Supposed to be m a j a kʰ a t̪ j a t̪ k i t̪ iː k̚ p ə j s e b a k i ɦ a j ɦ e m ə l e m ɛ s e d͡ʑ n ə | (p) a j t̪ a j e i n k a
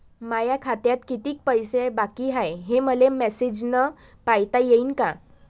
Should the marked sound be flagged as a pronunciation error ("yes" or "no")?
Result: no